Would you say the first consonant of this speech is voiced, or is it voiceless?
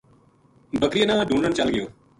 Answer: voiced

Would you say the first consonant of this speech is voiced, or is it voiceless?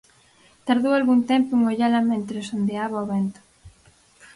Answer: voiceless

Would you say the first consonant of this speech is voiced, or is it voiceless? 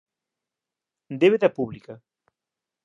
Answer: voiced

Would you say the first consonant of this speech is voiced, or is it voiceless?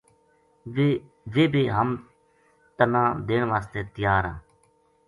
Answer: voiced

